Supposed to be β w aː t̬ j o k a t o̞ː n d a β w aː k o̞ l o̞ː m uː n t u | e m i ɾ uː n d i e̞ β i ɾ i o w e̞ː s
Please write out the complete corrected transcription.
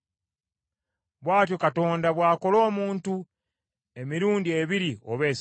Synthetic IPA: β w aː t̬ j o k a t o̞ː n d a β w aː k o̞ l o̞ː m uː n t u | e m i ɾ uː n d i e̞ β i ɾ i o β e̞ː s